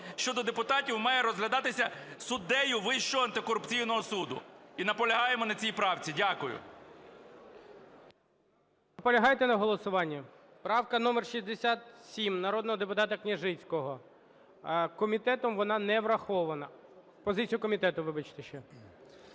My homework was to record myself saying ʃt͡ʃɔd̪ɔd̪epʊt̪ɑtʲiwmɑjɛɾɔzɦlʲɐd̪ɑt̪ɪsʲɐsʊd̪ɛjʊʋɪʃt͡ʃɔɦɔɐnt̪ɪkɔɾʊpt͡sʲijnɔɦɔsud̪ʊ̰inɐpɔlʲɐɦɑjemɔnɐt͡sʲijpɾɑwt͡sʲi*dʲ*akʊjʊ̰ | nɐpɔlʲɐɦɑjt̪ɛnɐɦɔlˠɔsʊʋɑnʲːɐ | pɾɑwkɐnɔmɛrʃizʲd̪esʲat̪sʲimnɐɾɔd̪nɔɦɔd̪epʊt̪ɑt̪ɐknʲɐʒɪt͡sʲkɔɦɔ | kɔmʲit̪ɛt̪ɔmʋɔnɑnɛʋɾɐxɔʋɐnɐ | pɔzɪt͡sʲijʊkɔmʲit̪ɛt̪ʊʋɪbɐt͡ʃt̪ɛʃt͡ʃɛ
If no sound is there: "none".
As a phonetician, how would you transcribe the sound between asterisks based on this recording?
dʲ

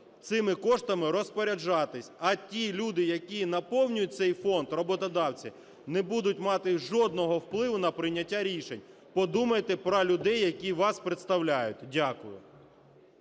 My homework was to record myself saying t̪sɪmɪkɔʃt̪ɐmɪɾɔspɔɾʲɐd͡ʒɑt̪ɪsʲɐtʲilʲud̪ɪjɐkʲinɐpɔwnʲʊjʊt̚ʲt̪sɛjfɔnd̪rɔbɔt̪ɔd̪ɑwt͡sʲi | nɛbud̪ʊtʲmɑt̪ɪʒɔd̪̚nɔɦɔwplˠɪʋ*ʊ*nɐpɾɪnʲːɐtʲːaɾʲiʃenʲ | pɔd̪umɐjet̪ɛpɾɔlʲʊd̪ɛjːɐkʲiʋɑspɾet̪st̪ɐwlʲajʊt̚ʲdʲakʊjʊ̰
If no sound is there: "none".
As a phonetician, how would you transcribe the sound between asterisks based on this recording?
ʊ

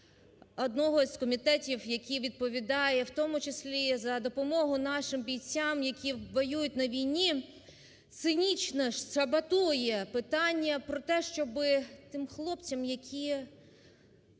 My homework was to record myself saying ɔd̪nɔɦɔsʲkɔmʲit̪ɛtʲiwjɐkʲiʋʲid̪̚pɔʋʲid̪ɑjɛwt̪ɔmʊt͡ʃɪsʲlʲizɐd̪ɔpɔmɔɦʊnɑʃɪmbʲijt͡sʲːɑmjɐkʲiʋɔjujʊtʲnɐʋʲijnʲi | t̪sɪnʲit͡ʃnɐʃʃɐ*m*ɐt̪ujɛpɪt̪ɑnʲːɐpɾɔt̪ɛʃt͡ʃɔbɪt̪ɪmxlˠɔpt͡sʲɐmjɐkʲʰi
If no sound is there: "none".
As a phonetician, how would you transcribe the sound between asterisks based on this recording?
b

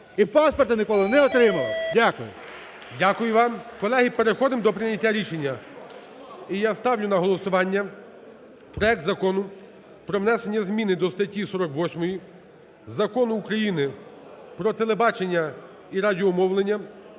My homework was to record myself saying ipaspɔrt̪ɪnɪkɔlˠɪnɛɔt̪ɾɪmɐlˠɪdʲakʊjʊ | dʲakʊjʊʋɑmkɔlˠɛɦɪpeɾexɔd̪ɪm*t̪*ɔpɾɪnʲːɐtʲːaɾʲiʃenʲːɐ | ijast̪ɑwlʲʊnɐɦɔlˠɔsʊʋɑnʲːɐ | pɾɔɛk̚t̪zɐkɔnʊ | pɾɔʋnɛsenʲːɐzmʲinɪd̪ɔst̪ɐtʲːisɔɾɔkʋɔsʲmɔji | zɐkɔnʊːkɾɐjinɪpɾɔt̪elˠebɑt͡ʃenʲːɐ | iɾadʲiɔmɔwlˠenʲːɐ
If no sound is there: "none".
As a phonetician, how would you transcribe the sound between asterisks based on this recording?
d̪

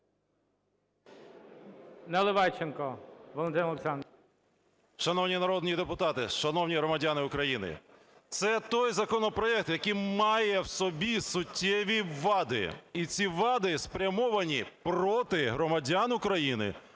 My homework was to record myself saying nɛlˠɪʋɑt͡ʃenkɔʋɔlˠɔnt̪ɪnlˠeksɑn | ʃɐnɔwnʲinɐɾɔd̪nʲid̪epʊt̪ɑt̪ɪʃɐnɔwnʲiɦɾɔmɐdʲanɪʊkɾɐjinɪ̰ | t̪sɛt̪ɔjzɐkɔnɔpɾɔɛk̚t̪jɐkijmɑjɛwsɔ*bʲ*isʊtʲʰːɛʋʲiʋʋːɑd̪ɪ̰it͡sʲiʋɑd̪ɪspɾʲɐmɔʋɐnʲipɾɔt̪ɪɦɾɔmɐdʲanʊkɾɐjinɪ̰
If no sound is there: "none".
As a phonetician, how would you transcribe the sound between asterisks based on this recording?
bʲ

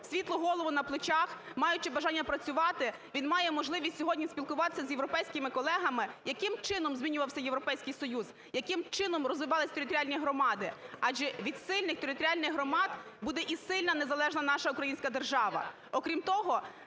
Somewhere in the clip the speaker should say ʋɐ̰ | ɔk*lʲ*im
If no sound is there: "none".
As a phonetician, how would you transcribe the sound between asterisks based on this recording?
ɾʲ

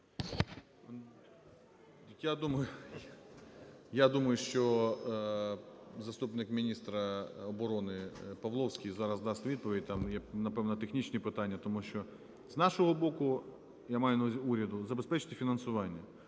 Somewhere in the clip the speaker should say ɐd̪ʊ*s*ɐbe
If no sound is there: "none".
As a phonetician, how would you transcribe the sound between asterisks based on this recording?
z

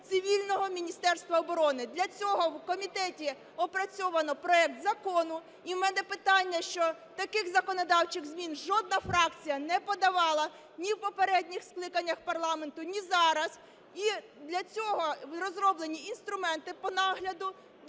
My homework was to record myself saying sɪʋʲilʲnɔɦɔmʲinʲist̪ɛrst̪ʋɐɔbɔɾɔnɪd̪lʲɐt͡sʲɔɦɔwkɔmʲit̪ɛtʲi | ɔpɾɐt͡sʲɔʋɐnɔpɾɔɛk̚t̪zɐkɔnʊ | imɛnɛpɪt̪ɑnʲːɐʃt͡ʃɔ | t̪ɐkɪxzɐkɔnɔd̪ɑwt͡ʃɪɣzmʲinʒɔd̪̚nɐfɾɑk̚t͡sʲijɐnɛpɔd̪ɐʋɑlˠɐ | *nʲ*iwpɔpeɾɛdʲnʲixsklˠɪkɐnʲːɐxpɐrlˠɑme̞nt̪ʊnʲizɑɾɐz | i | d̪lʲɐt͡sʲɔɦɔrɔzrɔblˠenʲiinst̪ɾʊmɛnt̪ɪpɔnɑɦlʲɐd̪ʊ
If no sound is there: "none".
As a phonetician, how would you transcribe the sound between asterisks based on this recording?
nʲ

